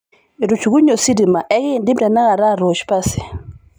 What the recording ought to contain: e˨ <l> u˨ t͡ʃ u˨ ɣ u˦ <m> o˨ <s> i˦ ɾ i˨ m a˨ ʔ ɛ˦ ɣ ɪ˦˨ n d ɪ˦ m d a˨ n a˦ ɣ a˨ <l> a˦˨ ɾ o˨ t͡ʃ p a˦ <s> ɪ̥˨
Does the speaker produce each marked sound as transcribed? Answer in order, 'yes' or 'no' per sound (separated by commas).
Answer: no, no, yes, no, yes